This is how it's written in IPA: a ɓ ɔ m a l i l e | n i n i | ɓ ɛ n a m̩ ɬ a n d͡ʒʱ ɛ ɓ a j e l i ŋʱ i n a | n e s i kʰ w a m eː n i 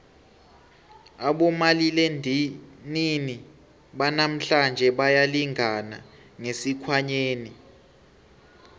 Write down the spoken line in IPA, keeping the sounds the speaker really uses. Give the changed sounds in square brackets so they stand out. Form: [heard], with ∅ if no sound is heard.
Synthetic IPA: a ɓ ɔ m a l i l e | n i n i | ɓ [a] n a m̩ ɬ a n d͡ʒʱ ɛ ɓ a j [a] l i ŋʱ [a] n a | [ŋ] e s i kʰ w a [ɲ] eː n i